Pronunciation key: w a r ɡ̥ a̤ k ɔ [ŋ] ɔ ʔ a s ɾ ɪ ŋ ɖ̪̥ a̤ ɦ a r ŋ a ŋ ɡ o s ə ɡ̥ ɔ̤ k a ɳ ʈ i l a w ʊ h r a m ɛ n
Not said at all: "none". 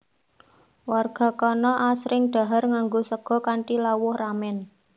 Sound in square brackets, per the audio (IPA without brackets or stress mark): n